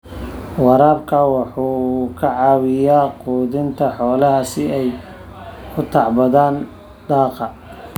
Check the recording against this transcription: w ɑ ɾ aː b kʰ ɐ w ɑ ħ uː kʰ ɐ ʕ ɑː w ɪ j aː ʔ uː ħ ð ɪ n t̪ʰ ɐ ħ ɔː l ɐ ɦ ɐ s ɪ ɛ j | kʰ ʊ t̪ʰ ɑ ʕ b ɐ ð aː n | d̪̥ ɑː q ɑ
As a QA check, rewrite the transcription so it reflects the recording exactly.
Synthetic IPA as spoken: w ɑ ɾ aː b kʰ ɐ w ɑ ħ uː kʰ ɐ ʕ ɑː w ɪ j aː q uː ð ɪ n t̪ʰ ɐ ħ ɔː l ɐ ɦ ɐ s ɪ ɛ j | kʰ ʊ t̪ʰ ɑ ʕ b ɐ ð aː n | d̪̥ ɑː q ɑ